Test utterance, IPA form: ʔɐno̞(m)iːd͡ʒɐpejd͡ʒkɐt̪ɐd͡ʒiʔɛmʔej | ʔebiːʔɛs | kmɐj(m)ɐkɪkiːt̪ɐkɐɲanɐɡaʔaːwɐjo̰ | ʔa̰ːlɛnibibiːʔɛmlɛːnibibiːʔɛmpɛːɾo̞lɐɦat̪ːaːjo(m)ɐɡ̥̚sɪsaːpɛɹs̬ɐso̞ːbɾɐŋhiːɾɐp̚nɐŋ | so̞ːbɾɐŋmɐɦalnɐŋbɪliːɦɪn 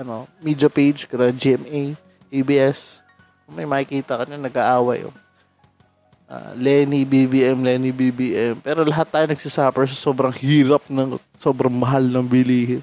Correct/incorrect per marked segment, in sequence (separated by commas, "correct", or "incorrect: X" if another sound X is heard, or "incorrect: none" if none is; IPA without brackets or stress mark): correct, correct, incorrect: n